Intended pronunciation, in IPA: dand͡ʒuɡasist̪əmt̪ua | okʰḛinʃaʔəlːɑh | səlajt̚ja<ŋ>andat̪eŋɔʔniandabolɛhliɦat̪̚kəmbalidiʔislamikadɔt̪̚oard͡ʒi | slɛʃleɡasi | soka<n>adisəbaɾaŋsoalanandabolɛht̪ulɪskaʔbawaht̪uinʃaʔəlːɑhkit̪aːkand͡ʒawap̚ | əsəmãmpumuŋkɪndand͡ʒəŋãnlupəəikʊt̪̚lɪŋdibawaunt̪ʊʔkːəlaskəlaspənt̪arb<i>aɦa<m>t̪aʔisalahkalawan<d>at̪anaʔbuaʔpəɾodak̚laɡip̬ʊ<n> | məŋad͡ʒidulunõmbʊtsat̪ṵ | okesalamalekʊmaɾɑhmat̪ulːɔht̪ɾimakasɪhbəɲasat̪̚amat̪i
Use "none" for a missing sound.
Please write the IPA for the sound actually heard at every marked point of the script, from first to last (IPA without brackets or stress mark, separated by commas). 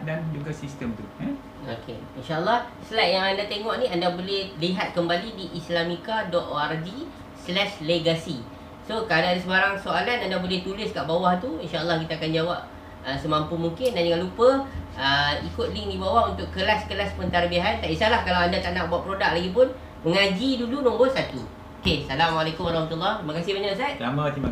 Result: ŋ, d, i, n, d, n